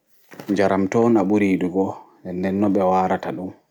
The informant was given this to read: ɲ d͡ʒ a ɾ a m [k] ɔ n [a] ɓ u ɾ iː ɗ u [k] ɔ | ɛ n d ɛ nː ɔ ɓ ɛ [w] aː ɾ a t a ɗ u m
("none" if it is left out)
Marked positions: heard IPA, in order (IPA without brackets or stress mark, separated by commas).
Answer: t, a, ɡ, w